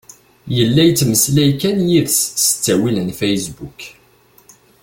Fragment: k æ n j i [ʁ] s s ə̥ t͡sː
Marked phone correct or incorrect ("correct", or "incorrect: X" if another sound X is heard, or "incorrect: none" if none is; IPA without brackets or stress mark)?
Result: incorrect: ð